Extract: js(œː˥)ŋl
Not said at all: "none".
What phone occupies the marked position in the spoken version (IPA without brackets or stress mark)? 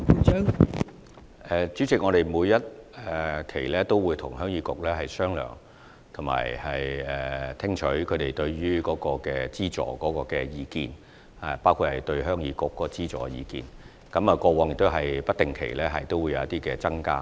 œː˥